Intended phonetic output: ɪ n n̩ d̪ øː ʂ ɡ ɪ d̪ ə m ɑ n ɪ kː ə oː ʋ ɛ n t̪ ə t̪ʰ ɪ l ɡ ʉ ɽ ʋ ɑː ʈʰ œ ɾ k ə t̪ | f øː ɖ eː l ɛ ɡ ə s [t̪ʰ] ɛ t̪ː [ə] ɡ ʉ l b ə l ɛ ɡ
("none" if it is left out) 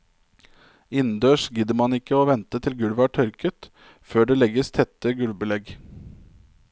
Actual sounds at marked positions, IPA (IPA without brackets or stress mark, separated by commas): t̪ʰ, ə